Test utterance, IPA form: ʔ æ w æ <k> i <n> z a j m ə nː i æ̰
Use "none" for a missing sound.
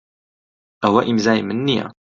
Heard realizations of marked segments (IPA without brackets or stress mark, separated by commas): ʔ, m